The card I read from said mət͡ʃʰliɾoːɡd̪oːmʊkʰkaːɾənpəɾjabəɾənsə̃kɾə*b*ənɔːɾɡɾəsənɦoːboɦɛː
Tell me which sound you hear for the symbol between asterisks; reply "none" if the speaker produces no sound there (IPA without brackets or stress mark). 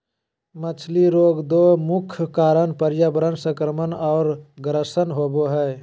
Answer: m